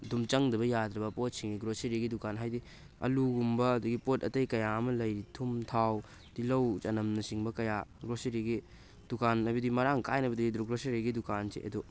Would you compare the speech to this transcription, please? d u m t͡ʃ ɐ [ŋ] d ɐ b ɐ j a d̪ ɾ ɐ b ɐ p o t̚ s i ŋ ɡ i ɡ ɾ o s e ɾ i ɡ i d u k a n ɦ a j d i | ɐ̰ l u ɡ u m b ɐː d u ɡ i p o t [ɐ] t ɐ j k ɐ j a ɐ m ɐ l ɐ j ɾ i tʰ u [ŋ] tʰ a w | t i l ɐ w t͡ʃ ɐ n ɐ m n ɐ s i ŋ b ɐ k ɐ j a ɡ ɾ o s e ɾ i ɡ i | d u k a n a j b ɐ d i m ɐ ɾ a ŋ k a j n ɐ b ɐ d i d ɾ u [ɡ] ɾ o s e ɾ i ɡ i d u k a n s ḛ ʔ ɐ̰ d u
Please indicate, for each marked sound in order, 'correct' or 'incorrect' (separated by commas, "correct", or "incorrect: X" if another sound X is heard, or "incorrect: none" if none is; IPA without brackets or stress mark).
correct, correct, incorrect: m, correct